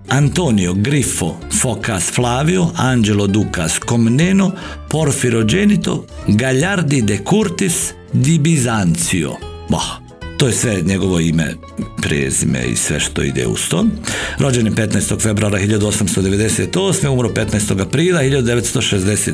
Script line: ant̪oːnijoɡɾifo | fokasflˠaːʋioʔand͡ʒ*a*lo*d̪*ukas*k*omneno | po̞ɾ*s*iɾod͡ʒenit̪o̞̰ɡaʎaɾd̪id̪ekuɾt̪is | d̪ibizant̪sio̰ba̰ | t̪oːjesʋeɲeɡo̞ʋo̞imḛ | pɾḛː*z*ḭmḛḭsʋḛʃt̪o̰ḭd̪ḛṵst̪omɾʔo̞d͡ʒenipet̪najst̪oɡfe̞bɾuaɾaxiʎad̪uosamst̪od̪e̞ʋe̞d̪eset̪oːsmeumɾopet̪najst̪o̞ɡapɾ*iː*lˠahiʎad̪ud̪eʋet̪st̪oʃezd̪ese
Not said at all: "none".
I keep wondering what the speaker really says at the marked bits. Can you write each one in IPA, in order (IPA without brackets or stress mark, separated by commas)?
e, d̪, k, f, z, iː